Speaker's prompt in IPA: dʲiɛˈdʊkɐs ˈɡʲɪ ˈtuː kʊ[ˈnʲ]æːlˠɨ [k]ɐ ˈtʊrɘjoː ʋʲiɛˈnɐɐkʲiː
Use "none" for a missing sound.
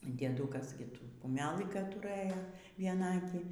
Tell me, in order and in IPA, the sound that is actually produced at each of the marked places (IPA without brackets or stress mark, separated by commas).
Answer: mʲ, k